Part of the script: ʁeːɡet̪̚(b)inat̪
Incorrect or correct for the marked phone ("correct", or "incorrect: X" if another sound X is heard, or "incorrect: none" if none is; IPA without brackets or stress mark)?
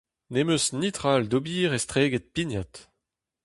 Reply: incorrect: p